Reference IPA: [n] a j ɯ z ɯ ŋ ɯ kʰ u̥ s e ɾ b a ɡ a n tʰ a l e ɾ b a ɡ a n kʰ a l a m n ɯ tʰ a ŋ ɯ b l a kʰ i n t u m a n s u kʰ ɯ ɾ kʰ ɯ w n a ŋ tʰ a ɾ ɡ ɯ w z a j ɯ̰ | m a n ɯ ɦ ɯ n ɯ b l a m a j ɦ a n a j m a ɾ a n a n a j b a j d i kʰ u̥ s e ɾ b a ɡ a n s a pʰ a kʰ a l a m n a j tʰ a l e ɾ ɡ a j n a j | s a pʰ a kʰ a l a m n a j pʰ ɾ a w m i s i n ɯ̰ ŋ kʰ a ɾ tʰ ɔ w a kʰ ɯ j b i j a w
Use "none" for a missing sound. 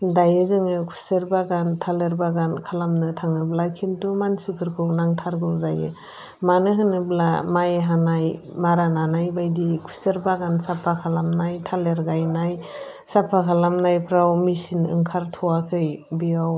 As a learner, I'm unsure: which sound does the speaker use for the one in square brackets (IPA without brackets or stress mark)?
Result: d